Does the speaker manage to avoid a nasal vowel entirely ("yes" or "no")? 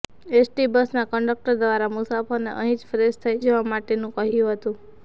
no